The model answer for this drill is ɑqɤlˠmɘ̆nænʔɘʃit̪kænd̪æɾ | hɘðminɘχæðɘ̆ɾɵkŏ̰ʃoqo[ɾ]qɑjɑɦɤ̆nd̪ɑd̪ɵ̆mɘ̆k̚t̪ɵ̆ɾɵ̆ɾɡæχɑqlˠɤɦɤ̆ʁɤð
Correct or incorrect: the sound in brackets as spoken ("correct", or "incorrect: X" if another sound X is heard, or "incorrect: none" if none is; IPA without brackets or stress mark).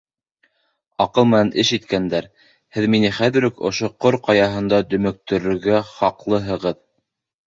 correct